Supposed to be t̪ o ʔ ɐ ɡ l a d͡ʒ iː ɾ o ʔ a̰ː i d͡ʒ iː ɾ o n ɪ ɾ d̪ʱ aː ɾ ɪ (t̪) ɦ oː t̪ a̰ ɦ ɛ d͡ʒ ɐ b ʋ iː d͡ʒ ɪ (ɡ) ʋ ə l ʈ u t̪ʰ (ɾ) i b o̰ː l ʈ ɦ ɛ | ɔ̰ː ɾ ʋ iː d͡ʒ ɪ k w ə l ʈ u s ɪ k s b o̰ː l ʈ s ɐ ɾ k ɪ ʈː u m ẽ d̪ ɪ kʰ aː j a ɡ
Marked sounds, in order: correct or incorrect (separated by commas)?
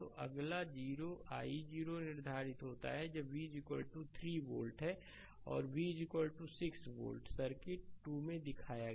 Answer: correct, incorrect, correct